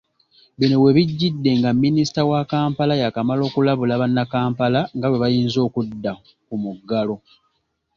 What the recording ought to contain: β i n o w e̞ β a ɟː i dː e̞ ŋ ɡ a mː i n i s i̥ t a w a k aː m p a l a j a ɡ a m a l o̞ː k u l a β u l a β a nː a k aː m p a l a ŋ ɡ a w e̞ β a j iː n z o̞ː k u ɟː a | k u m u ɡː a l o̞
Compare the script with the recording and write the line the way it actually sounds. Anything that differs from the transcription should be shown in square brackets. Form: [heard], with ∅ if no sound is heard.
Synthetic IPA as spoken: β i n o w e̞ β [i] ɟː i dː e̞ ŋ ɡ a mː i n i s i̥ t a w a k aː m p a l a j a [k] a m a l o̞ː k u l a β u l a β a nː a k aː m p a l a ŋ ɡ a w e̞ β a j iː n z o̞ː k u [dː] a | k u m u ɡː a l o̞